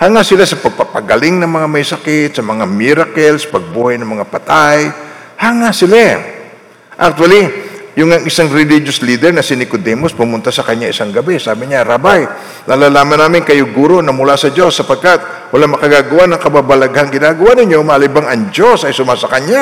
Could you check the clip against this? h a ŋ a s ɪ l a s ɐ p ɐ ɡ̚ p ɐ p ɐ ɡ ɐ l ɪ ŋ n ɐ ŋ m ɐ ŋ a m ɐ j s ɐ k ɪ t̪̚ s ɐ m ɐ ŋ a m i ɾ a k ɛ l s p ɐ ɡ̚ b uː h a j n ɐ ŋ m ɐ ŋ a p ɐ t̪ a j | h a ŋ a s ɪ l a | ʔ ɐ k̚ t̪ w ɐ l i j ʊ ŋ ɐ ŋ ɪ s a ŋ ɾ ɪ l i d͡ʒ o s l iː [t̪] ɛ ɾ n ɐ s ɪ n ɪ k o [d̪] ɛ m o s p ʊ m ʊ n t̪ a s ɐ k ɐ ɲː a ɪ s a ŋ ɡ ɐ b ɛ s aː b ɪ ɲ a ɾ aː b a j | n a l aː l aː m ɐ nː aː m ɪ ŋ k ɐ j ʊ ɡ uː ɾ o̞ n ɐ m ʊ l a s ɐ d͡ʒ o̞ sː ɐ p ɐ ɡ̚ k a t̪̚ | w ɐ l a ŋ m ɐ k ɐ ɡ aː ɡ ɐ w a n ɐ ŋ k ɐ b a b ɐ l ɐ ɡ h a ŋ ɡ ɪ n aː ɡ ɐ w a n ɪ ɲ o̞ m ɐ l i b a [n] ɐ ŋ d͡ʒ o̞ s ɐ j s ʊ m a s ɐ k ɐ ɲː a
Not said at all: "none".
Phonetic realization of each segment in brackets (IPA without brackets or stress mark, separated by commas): d̪, d̪, ŋ